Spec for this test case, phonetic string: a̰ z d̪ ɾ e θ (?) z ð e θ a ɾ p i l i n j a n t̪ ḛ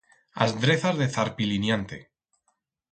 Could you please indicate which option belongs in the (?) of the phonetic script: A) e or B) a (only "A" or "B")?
B